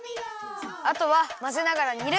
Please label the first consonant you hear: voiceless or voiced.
voiceless